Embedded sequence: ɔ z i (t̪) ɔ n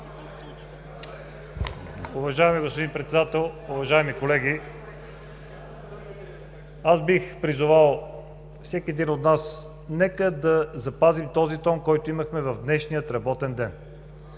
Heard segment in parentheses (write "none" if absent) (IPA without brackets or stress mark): t̪